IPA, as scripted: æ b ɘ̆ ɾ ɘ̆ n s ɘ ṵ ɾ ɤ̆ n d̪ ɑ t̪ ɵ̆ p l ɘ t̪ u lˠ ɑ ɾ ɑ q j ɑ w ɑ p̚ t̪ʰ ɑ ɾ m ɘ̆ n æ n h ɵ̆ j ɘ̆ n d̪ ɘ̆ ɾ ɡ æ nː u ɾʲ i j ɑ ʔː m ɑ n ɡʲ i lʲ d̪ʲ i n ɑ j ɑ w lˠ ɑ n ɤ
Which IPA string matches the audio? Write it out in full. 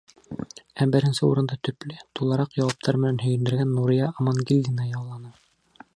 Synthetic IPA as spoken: æ b ɘ̆ ɾ ɘ̆ n s ɘ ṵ ɾ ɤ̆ n d̪ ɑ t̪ ɵ̆ p l ɘ t̪ u lˠ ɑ ɾ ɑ q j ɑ w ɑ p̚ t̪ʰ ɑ ɾ m ɘ̆ n æ n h ɵ̆ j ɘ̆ n d̪ ɘ̆ ɾ ɡ æ nː u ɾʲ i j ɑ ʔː m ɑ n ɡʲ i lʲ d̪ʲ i n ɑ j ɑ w lˠ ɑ n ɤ